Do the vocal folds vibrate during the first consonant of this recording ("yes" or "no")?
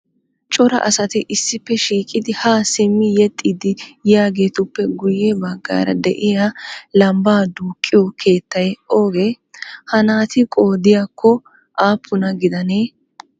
no